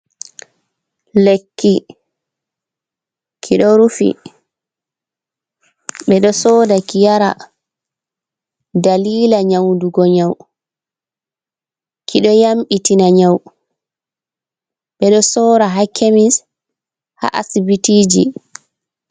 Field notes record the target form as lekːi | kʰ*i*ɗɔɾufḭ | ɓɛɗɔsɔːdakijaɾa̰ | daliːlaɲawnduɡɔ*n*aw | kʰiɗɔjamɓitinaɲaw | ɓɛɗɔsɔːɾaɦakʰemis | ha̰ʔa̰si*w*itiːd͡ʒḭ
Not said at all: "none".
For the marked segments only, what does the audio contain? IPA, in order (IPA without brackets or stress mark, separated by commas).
i, ɲ, b